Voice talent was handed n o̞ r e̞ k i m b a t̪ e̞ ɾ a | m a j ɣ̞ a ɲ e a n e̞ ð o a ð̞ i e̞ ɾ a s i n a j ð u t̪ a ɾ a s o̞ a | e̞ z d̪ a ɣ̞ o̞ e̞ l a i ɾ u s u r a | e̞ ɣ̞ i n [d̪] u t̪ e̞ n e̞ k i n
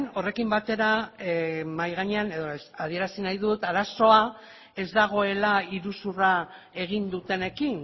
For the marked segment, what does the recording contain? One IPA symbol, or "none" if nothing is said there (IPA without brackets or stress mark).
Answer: d̪